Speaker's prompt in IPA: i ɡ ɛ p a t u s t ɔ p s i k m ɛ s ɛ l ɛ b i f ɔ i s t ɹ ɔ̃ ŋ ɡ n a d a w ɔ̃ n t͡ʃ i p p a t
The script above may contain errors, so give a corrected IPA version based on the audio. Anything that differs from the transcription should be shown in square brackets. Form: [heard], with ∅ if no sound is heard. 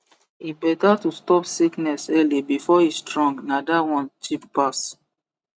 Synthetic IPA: i [b] ɛ [t] a t u s t ɔ p s i k [n] ɛ s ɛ l [i] b i f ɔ i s t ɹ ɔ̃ ŋ ɡ n a d a w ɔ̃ n t͡ʃ i p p a [s]